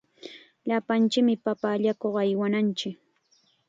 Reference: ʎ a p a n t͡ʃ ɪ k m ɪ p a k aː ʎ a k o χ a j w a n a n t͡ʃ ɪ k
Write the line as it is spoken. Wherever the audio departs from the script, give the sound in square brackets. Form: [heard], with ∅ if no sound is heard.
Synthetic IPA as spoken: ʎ a p a n t͡ʃ ɪ k m ɪ p a [p] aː ʎ a k o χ a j w a n a n t͡ʃ ɪ k